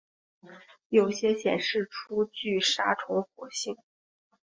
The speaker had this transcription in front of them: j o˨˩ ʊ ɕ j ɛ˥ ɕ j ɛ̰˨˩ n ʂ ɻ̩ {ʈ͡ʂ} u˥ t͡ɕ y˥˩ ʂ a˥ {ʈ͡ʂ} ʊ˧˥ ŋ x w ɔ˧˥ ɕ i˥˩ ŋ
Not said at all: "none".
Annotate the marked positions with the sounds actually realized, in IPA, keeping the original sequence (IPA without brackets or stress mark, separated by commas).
ʈ͡ʂʰ, ʈ͡ʂʰ